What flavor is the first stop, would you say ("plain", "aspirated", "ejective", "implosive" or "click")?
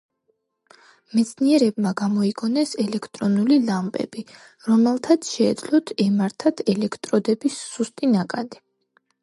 plain